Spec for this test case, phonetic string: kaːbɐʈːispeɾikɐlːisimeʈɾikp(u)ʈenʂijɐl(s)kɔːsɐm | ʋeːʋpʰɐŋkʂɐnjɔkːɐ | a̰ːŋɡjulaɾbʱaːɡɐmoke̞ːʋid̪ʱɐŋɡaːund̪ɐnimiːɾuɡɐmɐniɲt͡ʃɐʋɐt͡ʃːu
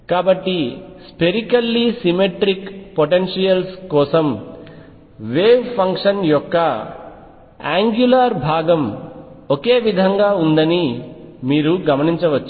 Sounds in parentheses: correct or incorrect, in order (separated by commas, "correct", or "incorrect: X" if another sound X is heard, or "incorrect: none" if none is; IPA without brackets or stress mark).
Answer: incorrect: o, correct